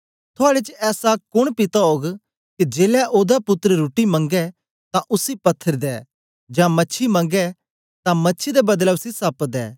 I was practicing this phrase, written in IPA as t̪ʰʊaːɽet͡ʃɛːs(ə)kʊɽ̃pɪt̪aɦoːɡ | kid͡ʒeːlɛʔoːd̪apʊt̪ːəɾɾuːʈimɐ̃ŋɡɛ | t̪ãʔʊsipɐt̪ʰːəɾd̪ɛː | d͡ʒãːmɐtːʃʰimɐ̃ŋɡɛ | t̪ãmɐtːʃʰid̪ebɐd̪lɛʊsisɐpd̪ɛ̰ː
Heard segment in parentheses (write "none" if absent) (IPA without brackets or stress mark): a